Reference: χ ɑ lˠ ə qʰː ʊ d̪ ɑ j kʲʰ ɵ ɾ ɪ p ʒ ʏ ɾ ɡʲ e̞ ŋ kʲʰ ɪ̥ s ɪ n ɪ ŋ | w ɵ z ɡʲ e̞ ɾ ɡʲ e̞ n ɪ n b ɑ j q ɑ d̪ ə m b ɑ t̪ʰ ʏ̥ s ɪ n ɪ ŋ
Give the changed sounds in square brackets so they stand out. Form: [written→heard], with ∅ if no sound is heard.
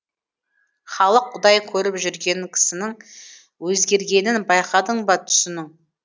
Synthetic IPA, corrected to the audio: χ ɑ lˠ ə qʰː ʊ d̪ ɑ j kʲʰ ɵ ɾ ɪ p ʒ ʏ ɾ ɡʲ e̞ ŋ kʲʰ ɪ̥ s ɪ n ɪ ŋ | w ɵ z ɡʲ e̞ ɾ ɡʲ e̞ n ɪ n b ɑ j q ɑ d̪ ə [m→ɴ] b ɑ t̪ʰ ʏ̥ s ɪ n ɪ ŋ